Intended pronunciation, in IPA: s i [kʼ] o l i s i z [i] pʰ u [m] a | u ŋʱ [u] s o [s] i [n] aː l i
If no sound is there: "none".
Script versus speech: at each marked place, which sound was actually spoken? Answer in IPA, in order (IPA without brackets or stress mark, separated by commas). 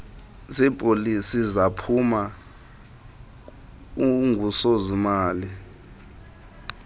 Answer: pʼ, a, m, u, z, m